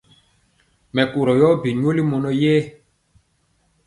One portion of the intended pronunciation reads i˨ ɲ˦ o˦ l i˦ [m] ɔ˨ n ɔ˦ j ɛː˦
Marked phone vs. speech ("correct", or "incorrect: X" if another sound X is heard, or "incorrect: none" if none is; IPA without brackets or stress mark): correct